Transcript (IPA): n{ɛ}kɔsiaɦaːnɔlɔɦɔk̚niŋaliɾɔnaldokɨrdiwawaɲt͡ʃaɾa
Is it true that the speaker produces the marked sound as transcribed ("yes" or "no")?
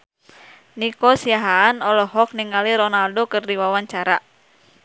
no